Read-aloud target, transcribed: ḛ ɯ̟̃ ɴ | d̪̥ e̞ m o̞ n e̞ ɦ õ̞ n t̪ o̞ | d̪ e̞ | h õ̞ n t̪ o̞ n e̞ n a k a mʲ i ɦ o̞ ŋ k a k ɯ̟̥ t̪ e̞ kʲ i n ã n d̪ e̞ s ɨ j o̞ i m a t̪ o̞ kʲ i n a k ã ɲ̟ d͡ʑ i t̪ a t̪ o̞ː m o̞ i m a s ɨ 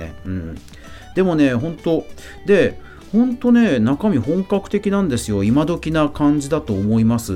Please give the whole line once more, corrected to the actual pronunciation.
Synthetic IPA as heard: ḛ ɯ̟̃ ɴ | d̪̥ e̞ m o̞ n e̞ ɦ õ̞ n t̪ o̞ | d̪ e̞ | h õ̞ n t̪ o̞ n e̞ n a k a mʲ i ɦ õ̞ ŋ k a k ɯ̟̥ t̪ e̞ kʲ i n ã n d̪ e̞ s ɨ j o̞ i m a d̪ o̞ kʲ i n a k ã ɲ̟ d͡ʑ i d̪ a t̪ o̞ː m o̞ i m a s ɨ